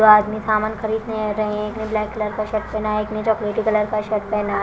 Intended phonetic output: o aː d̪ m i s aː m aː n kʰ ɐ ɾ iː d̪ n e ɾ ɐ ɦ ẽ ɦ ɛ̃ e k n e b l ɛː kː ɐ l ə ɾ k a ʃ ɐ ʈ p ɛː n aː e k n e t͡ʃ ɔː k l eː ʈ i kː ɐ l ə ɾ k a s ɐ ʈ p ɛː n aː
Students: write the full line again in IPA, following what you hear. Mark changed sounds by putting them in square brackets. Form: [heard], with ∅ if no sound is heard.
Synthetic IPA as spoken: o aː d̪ m i s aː m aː n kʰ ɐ ɾ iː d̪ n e ɾ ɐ ɦ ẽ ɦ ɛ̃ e k n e b l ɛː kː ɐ l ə ɾ k a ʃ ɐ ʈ p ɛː n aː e k n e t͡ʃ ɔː k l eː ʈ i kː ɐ l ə ɾ k a [ʃ] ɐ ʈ p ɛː n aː